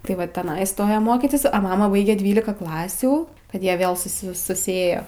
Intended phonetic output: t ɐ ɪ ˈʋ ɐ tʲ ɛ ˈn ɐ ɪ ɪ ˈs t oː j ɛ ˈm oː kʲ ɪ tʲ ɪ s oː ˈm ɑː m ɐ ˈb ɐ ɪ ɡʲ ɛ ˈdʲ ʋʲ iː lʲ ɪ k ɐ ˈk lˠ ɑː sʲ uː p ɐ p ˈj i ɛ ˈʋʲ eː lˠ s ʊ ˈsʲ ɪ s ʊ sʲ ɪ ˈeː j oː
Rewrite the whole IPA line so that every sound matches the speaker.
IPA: t ɐ ɪ ˈʋ ɐ tʲ ɛ ˈn ɐ ɪ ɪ ˈs t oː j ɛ ˈm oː kʲ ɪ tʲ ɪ s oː ˈm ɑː m ɐ ˈb ɐ ɪ ɡʲ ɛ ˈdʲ ʋʲ iː lʲ ɪ k ɐ ˈk lˠ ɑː sʲ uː k ɐ t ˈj i ɛ ˈʋʲ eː lˠ s ʊ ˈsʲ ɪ s ʊ sʲ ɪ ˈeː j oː